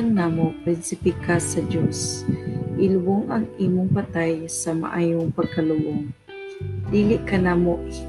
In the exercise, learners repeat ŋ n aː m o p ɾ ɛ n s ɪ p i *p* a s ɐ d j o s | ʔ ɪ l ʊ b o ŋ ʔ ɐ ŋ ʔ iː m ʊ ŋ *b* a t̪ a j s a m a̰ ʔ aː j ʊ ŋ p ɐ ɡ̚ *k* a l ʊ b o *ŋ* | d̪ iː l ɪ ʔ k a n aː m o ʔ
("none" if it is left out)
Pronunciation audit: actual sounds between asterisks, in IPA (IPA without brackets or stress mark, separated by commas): k, p, k, ŋ